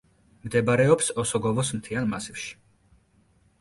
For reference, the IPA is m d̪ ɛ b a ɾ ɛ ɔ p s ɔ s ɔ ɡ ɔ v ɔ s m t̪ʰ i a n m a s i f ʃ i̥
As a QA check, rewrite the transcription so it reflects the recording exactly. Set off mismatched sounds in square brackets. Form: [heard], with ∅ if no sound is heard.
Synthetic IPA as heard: m d̪ ɛ b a ɾ ɛ ɔ p s ɔ s ɔ ɡ ɔ v ɔ s m t̪ʰ i a n m a s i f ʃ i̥